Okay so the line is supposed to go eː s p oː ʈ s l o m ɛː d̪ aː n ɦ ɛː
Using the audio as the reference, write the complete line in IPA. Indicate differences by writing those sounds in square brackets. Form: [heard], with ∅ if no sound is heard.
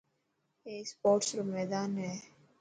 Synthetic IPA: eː s p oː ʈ s [ɾ] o m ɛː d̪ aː n ɦ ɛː